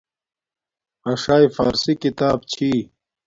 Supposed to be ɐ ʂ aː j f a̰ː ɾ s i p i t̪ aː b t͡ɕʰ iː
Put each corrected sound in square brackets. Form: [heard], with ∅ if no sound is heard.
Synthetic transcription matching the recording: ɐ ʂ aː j f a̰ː ɾ s i [k] i t̪ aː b t͡ɕʰ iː